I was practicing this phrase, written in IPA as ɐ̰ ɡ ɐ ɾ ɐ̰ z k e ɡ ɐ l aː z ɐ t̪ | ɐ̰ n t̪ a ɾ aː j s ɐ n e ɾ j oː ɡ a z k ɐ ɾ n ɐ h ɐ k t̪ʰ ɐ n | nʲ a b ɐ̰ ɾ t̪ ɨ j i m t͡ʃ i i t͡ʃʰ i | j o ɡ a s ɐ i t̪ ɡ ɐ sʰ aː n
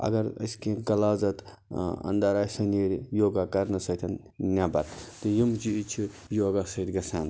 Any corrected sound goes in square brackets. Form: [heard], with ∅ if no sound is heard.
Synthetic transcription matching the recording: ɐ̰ ɡ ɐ ɾ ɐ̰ [s] k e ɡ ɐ l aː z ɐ t̪ | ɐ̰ n [d̪] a ɾ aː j s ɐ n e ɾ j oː ɡ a [∅] k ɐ ɾ n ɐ [s] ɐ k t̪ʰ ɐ n | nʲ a b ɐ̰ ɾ t̪ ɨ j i m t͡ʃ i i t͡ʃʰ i | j o ɡ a s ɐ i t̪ ɡ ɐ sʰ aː n